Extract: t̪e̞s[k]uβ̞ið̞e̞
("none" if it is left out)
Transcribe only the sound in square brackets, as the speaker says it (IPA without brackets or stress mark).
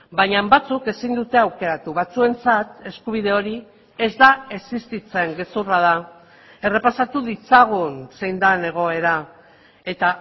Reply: k